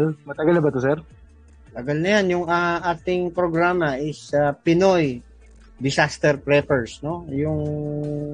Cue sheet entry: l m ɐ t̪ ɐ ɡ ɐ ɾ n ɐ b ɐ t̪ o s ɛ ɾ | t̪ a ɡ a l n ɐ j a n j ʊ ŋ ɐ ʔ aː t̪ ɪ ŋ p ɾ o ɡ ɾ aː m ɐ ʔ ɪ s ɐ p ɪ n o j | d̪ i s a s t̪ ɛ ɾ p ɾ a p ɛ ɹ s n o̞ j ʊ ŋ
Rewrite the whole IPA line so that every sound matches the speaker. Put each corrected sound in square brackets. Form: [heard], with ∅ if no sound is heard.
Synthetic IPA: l m ɐ t̪ ɐ ɡ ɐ [l] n ɐ b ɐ t̪ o s ɛ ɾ | t̪ [ɐ] ɡ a l n ɐ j a n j ʊ ŋ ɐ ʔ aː t̪ ɪ ŋ p ɾ o ɡ ɾ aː m ɐ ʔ ɪ s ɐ p ɪ n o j | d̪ [ɪ] s a s t̪ ɛ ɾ p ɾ [ɛ] p ɛ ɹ s n o̞ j ʊ ŋ